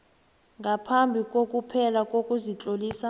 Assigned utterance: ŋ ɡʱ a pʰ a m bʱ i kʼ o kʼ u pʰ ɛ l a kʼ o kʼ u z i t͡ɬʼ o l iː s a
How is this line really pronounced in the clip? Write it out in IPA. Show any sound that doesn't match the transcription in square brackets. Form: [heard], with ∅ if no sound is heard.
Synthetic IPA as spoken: ŋ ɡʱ a pʰ a m bʱ i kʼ o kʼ u pʰ ɛ l a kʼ o kʼ u z i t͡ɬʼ o l iː s a